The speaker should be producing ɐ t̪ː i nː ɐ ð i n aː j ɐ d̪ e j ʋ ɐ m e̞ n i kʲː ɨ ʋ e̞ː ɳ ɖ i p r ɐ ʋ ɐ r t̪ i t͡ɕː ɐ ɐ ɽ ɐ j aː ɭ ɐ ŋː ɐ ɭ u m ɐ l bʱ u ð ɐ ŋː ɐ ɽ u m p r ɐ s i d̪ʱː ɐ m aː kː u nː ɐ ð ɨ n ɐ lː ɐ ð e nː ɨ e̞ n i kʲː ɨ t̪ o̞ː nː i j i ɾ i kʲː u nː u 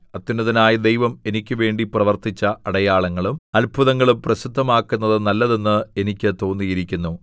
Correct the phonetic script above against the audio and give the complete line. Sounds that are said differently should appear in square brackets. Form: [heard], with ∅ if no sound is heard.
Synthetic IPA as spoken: ɐ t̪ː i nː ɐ ð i n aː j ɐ d̪ e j ʋ ɐ m e̞ n i kʲː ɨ ʋ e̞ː ɳ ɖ i p r ɐ ʋ ɐ r t̪ i t͡ɕː ɐ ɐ ɽ ɐ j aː ɭ ɐ ŋː ɐ ɭ u m ɐ l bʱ u ð ɐ ŋː ɐ [ɭ] u m p r ɐ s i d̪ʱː ɐ m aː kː u nː ɐ ð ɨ n ɐ lː ɐ ð e nː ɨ e̞ n i kʲː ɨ t̪ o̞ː nː i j i ɾ i kʲː u nː u